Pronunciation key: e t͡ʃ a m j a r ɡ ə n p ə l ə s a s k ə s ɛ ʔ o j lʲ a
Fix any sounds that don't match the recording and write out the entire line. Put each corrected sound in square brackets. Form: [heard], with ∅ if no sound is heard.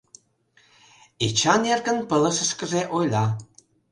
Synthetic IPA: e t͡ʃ a [n] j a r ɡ ə n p ə l ə s [ə] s k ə [z] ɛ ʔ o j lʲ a